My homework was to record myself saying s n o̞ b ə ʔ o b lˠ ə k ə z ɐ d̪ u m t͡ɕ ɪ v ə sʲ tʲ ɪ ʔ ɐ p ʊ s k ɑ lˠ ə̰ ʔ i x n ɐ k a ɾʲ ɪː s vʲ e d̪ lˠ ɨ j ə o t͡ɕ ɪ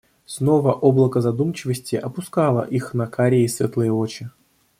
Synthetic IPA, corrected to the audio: s n o̞ v ə ʔ o b lˠ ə k ə z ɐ d̪ u m t͡ɕ ɪ v ə sʲ tʲ ɪ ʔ ɐ p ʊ s k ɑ lˠ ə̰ ʔ i x n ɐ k a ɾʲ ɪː s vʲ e t̪ lˠ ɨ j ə o t͡ɕ ɪ

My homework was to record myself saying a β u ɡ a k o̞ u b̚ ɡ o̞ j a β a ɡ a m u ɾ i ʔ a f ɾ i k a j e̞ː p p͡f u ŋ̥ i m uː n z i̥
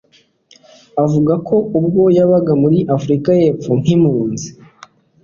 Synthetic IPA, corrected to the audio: a v u ɡ a k o̞ u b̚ ɡ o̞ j a β a ɡ a m u ɾ i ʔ a f ɾ i k a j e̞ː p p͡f u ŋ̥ i m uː n z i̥

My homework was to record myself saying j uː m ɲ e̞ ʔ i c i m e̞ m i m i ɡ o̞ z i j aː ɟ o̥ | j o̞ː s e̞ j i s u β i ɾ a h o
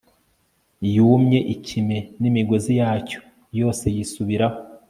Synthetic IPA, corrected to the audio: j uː m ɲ e̞ ʔ i c i m e̞ n i m i ɡ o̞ z i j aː c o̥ | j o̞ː s e̞ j i s u β i ɾ a h o

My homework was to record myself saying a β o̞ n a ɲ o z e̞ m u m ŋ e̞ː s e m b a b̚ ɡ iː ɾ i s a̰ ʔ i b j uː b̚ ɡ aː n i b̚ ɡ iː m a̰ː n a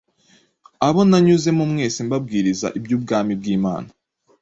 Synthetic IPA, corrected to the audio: a β o̞ n a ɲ u z e̞ m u m ŋ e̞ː s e m b a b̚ ɡ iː ɾ i z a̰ ʔ i b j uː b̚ ɡ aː m i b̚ ɡ iː m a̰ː n a

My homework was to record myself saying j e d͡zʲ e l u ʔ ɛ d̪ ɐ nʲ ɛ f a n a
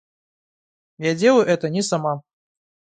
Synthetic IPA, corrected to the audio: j a d͡zʲ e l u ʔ ɛ t̪ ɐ nʲ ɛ s a m a

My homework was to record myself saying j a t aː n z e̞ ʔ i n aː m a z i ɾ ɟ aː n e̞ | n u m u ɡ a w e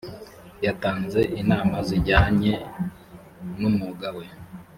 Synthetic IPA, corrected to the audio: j a t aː n z e̞ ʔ i n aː m a z i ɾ ɟ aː ɲ e̞ | n u m u ɡ a w e

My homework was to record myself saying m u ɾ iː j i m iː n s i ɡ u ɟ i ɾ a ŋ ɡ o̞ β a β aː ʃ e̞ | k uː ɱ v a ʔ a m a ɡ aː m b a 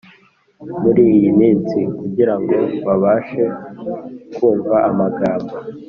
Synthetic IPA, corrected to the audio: m u ɾ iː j i m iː n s i k u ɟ i ɾ a ŋ ɡ o̞ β a β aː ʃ e̞ | k uː ɱ v a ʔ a m a ɡ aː m b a

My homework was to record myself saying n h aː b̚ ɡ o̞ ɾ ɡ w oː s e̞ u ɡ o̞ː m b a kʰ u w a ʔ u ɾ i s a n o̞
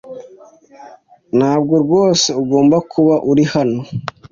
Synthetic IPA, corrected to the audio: n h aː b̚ ɡ o̞ ɾ ɡ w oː s e̞ u ɡ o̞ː m b a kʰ u β a ʔ u ɾ i h a n o̞

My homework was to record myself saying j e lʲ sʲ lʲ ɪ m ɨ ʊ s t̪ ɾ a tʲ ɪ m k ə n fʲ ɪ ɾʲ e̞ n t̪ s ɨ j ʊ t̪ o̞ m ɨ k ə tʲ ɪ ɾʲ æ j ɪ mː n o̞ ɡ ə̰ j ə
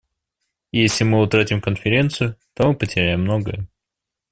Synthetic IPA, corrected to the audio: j e sʲ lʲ ɪ m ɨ ʊ t̪ ɾ a tʲ ɪ m k ə n fʲ ɪ ɾʲ e̞ n t̪ s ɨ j ʊ t̪ o̞ m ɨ p ə tʲ ɪ ɾʲ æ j ɪ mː n o̞ ɡ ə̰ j ə

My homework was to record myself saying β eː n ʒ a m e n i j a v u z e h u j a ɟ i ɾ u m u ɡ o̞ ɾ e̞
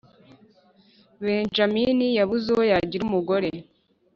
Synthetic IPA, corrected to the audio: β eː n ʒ a m i n i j a β u z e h o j a ɟ i ɾ u m u ɡ o̞ ɾ e̞

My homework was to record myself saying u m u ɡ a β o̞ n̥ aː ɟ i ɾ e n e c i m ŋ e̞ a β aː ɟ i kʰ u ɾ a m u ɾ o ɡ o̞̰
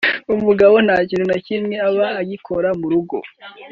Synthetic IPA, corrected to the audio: u m u ɡ a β o̞ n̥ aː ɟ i ɾ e n a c i m ŋ e̞ a β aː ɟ i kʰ o ɾ a m u ɾ u ɡ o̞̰

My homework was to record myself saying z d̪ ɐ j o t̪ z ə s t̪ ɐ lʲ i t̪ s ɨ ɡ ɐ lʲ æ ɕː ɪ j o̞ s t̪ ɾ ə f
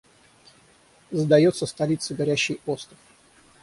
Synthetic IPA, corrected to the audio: z d̪ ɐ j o t̪ s ə s t̪ ɐ lʲ i t̪ s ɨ ɡ ɐ ɾʲ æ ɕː ɪ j o̞ s t̪ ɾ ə f

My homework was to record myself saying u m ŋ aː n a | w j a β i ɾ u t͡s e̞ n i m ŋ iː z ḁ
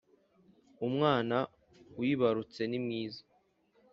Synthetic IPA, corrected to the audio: u m ŋ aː n a | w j i β a ɾ u t͡s e̞ n i m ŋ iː z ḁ

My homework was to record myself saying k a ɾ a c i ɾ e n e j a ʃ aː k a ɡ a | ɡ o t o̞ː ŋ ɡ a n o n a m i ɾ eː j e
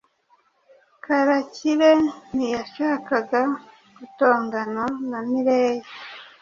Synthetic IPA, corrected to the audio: k a ɾ a c i ɾ e n i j a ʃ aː k a ɡ a | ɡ u t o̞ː ŋ ɡ a n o n a m i ɾ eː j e

